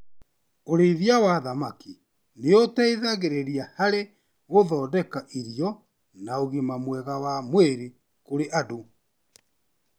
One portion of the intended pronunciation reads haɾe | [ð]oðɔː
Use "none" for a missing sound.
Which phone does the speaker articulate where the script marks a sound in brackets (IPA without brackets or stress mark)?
ɣ